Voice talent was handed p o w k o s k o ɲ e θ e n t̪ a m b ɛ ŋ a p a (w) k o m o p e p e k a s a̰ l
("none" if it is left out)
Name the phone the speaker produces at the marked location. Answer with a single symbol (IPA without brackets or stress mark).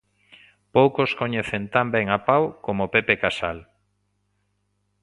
w